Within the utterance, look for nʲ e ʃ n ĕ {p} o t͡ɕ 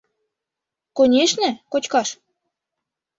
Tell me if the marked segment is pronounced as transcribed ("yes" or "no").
no